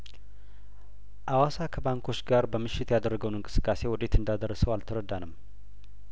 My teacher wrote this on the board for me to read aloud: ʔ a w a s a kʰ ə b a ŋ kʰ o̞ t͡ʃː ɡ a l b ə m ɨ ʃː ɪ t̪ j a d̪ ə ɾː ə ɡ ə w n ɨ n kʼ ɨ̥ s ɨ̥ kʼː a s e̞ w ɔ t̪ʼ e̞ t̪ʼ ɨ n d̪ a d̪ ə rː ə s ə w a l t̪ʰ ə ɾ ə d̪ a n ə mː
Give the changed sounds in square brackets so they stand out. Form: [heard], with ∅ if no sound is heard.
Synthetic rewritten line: ʔ a w a s a kʰ ə b a ŋ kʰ o̞ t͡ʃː ɡ a [ɾ] b ə m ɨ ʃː ɪ t̪ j a d̪ ə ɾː ə ɡ ə w n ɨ [ŋ] kʼ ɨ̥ s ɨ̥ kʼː a s e̞ w ɔ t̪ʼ e̞ [t̪] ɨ n d̪ a d̪ ə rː ə s ə w a l t̪ʰ ə ɾ ə d̪ a n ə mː